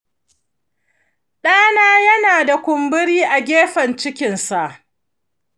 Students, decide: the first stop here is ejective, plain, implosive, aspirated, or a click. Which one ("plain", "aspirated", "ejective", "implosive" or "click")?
implosive